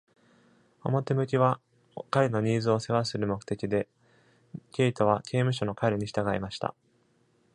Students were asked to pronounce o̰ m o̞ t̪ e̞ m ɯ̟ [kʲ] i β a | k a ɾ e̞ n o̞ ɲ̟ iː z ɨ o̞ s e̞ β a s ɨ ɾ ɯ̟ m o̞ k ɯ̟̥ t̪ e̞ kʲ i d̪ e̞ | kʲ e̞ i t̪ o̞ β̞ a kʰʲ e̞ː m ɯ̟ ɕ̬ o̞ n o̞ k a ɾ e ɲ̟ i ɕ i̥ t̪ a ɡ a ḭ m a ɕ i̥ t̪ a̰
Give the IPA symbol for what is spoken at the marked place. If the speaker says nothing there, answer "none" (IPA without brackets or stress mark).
kʲ